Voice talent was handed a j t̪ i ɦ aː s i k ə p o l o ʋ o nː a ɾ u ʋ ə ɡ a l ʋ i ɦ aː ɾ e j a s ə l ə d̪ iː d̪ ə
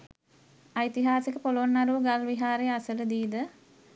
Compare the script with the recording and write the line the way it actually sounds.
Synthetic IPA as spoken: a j t̪ i ɦ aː s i k ə p o l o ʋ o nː a ɾ u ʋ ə ɡ a l ʋ i ɦ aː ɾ e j a s ə l ə d̪ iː d̪ ə